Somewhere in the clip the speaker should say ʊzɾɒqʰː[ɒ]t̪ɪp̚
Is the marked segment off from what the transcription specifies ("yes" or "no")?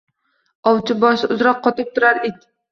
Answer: no